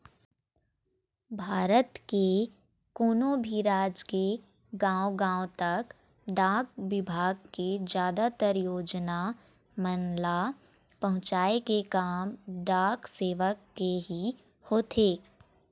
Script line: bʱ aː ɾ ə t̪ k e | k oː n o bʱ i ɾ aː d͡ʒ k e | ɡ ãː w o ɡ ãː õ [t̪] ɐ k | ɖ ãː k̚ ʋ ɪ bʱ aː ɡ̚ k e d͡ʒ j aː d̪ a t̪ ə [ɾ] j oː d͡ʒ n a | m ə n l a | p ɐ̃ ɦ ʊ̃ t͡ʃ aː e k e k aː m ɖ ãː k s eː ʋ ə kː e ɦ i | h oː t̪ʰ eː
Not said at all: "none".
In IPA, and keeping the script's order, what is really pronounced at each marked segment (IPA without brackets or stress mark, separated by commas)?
t̪, ɾ